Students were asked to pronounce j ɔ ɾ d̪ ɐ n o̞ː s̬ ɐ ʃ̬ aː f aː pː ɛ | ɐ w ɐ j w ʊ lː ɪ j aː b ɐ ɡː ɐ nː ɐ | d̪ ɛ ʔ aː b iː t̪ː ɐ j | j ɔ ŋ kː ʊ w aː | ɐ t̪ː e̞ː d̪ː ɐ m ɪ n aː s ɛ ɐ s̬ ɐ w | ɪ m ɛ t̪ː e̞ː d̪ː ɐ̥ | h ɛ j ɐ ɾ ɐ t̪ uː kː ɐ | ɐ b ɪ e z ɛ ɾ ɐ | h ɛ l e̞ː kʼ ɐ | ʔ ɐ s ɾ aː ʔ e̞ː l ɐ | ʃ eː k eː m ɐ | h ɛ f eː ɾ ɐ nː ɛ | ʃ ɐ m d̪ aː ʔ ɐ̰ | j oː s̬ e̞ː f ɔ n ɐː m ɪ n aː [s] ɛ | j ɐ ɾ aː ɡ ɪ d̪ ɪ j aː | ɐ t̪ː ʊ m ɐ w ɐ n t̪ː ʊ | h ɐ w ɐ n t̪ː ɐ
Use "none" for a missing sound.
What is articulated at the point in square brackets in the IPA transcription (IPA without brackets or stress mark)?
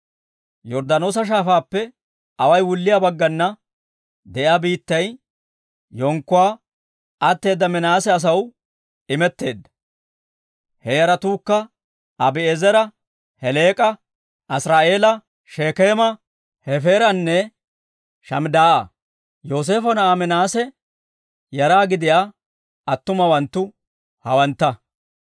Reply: s